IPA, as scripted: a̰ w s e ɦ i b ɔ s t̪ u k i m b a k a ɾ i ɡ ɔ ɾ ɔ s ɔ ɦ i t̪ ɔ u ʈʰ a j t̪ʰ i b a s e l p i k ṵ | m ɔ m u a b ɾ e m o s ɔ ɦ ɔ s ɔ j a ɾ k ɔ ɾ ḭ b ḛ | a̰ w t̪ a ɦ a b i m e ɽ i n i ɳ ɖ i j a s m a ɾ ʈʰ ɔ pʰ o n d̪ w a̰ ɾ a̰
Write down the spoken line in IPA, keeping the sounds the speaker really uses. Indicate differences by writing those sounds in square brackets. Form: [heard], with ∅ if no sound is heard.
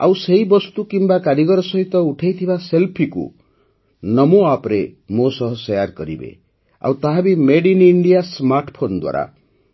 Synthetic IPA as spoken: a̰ w s e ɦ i b ɔ s t̪ u k i m b a k a ɾ i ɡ ɔ ɾ ɔ s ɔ ɦ i t̪ ɔ u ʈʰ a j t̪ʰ i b a s e l [pʰ] i k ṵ | [n] ɔ m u a [p] ɾ e m o s ɔ ɦ ɔ s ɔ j a ɾ k ɔ ɾ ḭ b ḛ | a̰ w t̪ a ɦ a b i m e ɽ i n i ɳ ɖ i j a s m a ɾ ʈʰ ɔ pʰ o n d̪ w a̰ ɾ a̰